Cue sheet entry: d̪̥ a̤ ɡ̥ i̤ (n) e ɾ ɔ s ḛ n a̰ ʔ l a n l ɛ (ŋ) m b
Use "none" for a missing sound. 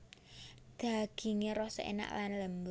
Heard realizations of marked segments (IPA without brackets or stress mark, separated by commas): ŋ, none